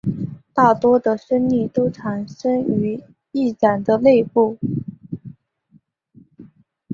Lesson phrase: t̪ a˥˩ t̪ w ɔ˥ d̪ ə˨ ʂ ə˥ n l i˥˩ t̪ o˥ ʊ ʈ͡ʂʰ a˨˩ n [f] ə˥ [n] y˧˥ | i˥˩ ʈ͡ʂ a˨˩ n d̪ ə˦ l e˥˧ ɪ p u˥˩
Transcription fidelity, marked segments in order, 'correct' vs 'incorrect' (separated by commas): incorrect, incorrect